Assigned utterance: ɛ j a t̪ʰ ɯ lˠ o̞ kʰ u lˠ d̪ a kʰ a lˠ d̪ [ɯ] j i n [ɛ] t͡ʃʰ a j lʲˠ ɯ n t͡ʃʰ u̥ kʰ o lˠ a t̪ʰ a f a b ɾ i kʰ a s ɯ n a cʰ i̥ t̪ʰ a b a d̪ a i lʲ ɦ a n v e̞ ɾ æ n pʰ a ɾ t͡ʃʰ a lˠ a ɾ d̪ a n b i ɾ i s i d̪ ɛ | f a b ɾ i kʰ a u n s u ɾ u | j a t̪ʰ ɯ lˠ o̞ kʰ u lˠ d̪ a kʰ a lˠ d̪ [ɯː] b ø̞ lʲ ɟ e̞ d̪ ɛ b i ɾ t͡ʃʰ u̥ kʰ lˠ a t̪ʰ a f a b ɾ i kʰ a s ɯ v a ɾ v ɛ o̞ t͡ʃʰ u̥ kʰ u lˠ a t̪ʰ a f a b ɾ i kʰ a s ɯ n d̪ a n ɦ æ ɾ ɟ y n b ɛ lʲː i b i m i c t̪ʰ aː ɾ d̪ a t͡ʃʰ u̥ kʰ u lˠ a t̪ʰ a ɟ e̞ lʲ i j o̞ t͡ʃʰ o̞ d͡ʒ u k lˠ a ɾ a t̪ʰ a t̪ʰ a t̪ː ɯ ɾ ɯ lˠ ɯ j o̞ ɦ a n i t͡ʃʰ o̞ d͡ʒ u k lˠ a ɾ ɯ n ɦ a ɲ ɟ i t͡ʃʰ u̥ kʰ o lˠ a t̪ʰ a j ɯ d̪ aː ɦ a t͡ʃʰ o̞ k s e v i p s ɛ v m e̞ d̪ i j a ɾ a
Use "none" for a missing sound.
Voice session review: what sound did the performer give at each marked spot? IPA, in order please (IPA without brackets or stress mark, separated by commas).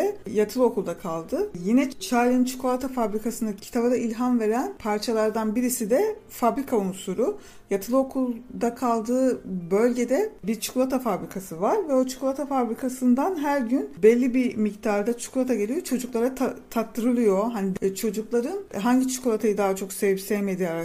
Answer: ɯ, ɛ, ɯː